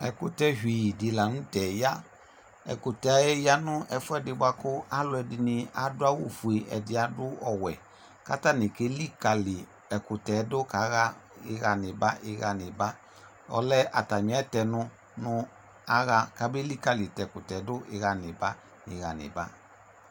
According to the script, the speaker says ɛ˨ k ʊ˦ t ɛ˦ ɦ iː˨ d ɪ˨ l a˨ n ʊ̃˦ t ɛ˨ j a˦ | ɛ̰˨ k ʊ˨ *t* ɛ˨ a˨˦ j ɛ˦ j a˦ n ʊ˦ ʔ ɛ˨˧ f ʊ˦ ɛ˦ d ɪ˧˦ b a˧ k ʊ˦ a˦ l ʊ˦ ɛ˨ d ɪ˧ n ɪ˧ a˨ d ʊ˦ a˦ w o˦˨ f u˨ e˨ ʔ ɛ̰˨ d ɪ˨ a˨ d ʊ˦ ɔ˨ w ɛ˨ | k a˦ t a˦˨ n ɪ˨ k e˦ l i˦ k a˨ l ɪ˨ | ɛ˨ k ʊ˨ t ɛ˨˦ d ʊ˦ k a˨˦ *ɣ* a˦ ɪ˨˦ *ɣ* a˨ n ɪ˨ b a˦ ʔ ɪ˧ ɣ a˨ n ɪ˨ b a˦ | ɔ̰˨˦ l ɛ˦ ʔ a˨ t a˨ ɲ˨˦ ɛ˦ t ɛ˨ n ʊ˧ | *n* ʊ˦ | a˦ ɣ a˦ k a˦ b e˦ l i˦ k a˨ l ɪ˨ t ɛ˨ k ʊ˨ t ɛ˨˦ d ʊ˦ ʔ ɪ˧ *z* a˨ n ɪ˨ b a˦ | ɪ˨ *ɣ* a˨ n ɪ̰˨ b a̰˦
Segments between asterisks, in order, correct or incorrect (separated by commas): correct, correct, correct, correct, incorrect, correct